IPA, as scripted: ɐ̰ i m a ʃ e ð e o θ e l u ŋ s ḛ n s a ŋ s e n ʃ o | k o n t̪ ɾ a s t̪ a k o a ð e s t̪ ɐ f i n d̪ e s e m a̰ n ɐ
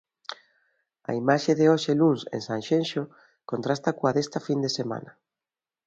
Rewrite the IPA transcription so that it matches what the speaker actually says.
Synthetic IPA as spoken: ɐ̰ i m a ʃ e ð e o ʃ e l u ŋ s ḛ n s a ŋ ʃ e n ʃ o | k o n t̪ ɾ a s t̪ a k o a ð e s t̪ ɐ f i n d̪ e s e m a̰ n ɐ